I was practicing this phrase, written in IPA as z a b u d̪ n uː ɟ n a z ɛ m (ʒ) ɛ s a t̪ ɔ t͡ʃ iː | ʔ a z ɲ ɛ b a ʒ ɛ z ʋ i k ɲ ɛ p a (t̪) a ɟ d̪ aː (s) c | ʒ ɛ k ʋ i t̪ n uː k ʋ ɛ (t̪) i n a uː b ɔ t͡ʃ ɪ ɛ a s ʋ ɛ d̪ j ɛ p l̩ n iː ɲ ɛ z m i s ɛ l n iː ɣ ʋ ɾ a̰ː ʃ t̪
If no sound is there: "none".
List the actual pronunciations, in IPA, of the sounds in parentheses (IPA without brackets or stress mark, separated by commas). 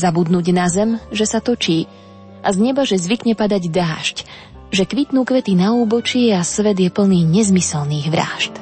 ʒ, d̪, ʃ, t̪